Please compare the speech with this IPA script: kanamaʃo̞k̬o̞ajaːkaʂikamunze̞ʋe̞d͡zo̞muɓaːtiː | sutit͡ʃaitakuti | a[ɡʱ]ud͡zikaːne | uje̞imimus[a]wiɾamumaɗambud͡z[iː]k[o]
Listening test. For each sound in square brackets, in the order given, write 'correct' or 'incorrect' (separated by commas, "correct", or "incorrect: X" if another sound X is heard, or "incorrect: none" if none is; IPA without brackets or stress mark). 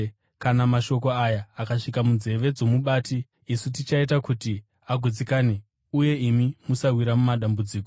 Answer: correct, correct, correct, correct